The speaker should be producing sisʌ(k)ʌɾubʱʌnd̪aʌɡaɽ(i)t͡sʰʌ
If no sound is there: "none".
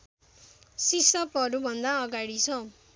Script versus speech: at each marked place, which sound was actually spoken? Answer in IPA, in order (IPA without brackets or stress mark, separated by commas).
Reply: p, i